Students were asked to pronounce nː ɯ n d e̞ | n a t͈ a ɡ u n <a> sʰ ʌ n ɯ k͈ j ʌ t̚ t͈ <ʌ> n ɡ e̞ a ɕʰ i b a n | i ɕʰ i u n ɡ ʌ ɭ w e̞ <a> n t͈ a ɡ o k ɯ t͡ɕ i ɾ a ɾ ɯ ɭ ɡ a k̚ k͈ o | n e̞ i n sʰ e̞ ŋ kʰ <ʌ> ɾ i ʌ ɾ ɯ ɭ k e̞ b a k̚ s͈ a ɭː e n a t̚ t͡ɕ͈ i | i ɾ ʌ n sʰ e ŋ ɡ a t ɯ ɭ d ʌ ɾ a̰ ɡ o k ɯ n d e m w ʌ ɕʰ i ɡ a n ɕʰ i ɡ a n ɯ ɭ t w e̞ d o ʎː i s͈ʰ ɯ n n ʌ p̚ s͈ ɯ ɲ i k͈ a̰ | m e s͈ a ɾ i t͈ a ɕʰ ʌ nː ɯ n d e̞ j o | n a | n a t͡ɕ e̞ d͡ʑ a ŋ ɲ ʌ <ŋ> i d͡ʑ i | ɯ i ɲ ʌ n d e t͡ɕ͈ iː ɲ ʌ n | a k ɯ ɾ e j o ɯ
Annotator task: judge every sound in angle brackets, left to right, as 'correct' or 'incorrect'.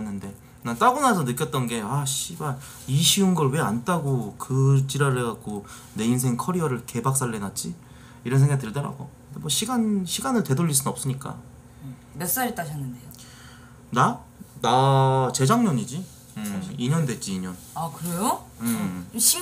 correct, correct, correct, correct, incorrect: ɲ

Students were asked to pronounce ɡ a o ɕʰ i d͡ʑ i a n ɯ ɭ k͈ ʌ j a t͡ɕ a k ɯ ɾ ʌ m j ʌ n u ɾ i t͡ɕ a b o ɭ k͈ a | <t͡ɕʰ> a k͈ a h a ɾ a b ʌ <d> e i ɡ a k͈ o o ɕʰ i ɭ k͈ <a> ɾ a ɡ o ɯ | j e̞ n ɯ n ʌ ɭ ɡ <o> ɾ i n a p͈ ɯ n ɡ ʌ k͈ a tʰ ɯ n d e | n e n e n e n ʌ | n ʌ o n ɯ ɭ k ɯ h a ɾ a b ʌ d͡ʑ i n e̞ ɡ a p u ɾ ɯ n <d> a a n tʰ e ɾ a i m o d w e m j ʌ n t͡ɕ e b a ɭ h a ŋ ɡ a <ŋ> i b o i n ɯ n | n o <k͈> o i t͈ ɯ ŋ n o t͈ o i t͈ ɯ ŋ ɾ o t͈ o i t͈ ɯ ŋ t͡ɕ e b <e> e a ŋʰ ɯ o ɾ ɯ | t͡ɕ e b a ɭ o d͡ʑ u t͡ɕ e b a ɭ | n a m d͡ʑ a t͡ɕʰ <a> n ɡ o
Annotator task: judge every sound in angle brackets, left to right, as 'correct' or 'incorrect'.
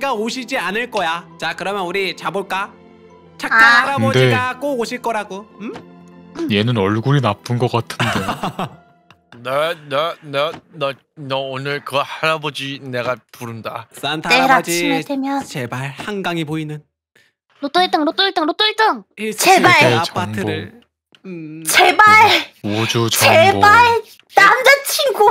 correct, correct, incorrect: ʌ, incorrect: u, correct, correct, incorrect: t͈, incorrect: a, incorrect: i

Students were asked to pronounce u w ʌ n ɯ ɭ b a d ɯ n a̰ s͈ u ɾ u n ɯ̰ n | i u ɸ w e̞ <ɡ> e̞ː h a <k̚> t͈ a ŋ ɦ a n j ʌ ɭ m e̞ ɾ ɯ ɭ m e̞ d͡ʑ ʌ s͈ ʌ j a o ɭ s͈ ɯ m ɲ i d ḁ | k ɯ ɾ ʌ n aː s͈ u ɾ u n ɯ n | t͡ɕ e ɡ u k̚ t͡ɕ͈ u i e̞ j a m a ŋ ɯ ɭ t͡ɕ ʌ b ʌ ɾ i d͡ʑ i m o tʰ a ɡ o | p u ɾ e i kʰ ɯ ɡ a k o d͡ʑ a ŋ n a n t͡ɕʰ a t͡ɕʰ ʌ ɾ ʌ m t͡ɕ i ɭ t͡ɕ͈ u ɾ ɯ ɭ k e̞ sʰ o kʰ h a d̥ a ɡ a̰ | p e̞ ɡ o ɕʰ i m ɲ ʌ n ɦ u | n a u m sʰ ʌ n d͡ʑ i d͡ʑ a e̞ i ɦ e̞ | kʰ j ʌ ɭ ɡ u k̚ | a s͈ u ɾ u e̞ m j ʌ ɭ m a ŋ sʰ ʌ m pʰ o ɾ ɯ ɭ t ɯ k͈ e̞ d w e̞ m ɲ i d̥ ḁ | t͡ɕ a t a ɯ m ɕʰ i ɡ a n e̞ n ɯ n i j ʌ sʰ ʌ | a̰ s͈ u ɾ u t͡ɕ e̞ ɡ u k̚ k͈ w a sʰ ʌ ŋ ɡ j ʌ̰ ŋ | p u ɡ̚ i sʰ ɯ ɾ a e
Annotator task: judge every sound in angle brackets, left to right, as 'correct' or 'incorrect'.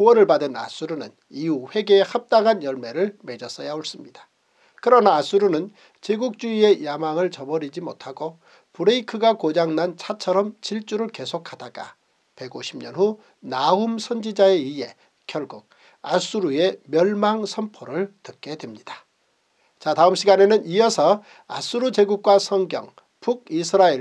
correct, incorrect: p̚

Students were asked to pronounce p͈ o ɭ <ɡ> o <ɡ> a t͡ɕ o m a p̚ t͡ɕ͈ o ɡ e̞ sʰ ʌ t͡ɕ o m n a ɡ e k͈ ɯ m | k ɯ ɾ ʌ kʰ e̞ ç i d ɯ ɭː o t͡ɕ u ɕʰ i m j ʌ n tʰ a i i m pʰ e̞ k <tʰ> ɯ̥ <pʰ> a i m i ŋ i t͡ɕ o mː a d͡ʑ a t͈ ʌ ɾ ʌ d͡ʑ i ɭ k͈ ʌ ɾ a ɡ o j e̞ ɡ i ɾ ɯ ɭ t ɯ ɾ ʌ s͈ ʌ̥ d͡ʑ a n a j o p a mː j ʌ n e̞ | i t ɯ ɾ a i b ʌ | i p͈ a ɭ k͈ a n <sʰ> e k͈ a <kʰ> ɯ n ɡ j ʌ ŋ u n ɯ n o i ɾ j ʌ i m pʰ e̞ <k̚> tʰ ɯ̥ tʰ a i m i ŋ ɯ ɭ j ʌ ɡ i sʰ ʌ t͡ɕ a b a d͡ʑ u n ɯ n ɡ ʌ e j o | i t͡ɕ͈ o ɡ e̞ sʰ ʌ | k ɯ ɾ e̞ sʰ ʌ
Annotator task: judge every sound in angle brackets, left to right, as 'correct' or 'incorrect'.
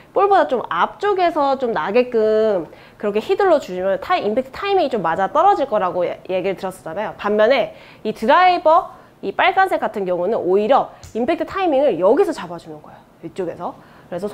incorrect: b, incorrect: d, correct, incorrect: tʰ, correct, incorrect: tʰ, correct

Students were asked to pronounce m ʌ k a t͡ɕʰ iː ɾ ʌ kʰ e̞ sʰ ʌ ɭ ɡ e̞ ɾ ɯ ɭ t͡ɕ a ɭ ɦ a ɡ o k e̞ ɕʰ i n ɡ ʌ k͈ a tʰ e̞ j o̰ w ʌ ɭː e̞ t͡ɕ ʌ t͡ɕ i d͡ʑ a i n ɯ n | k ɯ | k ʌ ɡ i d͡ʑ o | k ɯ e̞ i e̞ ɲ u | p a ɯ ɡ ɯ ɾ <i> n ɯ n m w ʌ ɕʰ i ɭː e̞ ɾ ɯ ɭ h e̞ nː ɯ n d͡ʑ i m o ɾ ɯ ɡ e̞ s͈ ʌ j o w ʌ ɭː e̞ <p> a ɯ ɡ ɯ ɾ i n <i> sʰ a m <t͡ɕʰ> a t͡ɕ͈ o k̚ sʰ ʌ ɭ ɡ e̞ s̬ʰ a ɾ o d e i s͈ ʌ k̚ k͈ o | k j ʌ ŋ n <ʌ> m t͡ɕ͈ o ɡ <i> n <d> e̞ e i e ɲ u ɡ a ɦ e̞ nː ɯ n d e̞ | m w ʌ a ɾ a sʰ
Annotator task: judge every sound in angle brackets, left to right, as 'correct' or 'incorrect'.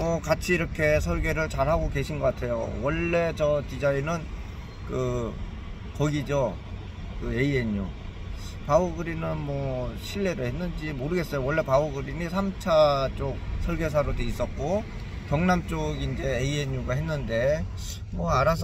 correct, correct, correct, correct, incorrect: a, correct, incorrect: d͡ʑ

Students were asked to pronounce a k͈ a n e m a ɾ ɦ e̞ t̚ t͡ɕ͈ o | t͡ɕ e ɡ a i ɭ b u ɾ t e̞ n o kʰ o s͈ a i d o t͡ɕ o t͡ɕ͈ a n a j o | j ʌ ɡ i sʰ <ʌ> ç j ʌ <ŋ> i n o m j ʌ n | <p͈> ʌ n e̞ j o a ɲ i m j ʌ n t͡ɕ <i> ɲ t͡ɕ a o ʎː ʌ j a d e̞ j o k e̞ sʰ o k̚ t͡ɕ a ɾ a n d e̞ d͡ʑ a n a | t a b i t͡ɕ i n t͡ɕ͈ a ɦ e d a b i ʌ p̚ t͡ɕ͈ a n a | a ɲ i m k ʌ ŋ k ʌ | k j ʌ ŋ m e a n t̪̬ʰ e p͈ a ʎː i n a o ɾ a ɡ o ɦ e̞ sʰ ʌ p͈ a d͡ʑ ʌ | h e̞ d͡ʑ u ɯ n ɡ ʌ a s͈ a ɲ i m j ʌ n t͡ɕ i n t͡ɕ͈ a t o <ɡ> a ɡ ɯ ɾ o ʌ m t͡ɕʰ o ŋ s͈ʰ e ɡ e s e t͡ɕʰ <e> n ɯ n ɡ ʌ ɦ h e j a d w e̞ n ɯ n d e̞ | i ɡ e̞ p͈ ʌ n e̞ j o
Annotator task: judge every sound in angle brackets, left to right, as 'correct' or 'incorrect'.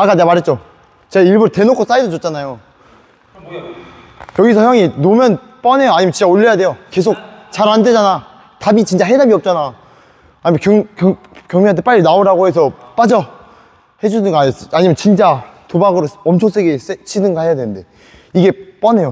correct, correct, correct, correct, incorrect: b, incorrect: i

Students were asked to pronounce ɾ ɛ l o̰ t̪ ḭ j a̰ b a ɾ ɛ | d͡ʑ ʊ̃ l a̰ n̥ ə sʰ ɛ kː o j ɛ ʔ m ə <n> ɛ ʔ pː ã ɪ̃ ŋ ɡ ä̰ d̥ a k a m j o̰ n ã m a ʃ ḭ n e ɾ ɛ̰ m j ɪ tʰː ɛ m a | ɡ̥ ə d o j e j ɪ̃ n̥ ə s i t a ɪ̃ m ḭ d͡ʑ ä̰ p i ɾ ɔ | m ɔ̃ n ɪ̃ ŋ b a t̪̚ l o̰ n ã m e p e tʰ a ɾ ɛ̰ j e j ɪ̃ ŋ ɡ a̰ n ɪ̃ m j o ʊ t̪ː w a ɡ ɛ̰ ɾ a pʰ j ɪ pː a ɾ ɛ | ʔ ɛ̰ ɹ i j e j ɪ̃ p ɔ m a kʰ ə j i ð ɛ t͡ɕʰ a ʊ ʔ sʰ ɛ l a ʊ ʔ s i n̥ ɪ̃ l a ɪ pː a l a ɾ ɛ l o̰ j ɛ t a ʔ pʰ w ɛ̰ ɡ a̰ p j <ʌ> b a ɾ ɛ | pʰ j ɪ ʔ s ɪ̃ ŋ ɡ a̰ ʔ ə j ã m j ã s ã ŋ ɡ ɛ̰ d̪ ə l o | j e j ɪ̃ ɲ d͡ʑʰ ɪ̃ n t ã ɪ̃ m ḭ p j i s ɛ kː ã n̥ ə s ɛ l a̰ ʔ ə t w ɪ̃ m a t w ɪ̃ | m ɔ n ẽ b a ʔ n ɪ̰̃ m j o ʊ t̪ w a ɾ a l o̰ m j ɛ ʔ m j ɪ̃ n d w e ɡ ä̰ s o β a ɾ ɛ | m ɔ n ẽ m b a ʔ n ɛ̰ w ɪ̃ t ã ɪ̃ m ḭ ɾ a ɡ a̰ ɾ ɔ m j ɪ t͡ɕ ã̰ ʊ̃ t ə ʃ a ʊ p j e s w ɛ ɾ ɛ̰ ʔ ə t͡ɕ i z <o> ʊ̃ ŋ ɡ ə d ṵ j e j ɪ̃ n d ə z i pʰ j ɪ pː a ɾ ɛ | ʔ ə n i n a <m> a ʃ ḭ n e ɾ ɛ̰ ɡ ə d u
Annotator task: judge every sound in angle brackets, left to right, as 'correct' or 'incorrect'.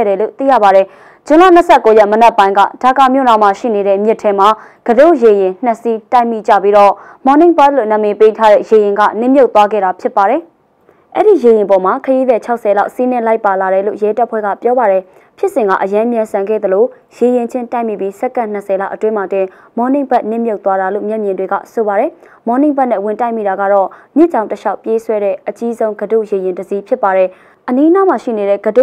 correct, incorrect: ɔ, incorrect: õ, correct

